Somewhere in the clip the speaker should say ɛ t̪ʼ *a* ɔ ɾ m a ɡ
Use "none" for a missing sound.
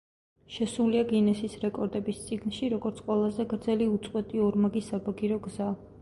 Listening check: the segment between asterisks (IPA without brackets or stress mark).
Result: i